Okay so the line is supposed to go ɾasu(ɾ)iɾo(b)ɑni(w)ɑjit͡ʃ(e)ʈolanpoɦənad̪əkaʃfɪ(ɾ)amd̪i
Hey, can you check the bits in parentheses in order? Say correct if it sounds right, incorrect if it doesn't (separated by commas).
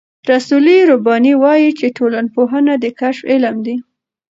incorrect, correct, correct, correct, incorrect